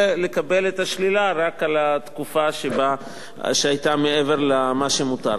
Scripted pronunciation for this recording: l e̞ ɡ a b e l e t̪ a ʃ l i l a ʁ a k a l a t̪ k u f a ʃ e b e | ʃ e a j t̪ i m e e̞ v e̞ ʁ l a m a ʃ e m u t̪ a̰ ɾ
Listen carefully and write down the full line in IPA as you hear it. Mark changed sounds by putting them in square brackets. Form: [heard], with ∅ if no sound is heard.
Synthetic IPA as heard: l e̞ [k] a b e l e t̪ a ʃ l i l a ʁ a k a l a t̪ k u f a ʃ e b [a] | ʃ e a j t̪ [a] m e e̞ v e̞ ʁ l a m a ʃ e m u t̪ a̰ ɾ